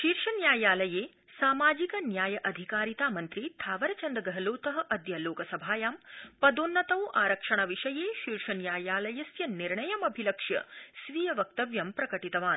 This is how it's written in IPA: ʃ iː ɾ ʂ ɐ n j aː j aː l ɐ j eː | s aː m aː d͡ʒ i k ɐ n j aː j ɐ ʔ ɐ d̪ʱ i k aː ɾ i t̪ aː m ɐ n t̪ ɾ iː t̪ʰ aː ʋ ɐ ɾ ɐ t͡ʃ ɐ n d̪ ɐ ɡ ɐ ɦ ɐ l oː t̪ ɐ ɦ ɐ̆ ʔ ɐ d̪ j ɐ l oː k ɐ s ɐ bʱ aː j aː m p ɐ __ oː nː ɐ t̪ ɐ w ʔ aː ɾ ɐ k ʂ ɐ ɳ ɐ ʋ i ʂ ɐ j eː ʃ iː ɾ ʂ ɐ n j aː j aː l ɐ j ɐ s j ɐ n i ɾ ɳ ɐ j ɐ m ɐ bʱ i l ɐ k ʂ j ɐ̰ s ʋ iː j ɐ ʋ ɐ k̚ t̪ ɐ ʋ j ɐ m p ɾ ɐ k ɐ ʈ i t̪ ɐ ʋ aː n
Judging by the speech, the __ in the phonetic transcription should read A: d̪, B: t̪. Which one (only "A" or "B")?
A